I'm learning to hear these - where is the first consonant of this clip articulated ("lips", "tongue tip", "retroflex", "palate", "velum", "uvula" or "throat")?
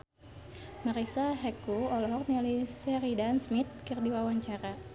lips